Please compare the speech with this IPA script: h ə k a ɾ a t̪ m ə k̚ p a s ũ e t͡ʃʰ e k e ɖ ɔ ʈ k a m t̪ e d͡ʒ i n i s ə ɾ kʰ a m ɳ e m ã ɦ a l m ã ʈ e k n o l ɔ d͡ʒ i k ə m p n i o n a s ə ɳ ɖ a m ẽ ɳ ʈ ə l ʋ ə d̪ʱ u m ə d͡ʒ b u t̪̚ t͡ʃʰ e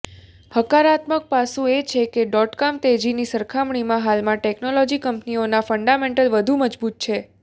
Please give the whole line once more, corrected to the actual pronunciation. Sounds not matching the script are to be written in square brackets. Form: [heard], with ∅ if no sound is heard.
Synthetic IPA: h ə k a ɾ a t̪ m ə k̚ p a s ũ e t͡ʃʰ e k e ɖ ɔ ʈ k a m t̪ e d͡ʒ i n i s ə ɾ kʰ a m ɳ [i] m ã ɦ a l m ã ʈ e k n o l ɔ d͡ʒ i k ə m p n i o n a [f] ə ɳ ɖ a m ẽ ɳ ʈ ə l ʋ ə d̪ʱ u m ə d͡ʒ b u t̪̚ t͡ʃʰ e